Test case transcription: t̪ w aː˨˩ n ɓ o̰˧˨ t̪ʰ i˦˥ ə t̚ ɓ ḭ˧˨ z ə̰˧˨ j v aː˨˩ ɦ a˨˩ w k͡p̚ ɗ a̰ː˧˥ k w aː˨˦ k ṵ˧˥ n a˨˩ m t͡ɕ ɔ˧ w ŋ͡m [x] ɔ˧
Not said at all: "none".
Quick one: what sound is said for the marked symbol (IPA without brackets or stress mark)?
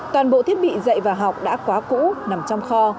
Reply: x